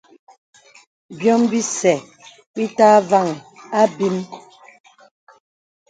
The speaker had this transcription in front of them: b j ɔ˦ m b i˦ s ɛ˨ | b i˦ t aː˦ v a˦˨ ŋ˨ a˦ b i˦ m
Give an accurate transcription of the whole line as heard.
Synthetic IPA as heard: b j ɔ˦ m b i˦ s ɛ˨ | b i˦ t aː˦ v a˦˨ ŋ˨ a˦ b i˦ m